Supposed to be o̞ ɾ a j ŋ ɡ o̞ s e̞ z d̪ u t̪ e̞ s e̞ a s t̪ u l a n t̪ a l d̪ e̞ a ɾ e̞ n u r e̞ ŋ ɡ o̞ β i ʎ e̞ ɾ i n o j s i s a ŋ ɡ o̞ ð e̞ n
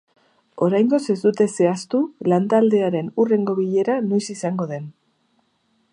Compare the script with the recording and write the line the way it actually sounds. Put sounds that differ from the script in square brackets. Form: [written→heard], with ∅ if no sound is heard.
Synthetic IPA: o̞ ɾ a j ŋ ɡ o̞ s e̞ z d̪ u t̪ e̞ s e̞ a s t̪ u l a n t̪ a l d̪ e̞ a ɾ e̞ n u r e̞ ŋ ɡ o̞ β i ʎ e̞ ɾ [i→a] n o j s i s a ŋ ɡ o̞ ð e̞ n